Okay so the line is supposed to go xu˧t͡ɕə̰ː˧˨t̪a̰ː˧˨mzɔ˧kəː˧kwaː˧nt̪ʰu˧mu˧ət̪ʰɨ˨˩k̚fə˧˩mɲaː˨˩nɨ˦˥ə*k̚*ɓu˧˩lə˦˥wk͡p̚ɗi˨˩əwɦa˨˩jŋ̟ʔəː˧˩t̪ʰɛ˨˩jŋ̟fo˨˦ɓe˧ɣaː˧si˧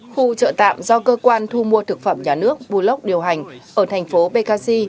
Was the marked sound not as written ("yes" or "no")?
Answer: no